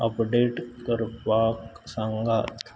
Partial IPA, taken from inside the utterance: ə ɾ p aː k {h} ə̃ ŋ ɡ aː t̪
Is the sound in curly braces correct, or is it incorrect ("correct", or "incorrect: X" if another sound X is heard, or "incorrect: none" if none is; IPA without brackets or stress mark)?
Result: incorrect: s